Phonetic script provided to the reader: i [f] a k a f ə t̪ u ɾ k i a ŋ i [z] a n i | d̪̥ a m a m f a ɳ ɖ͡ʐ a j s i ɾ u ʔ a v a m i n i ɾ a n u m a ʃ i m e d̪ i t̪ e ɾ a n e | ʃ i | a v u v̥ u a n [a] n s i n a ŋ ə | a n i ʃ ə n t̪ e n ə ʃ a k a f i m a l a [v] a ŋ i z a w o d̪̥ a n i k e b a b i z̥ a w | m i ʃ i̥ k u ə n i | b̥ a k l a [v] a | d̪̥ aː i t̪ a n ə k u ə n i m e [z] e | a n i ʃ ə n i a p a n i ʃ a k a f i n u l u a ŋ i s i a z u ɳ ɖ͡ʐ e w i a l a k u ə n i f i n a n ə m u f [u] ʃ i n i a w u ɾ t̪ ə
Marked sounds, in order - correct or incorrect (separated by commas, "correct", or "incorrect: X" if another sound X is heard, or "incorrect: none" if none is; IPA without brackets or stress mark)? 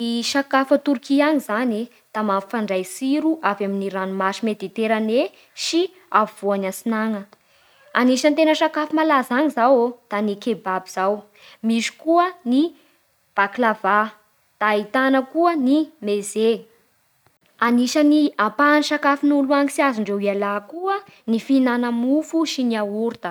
incorrect: ʃ, correct, correct, incorrect: z, correct, correct, correct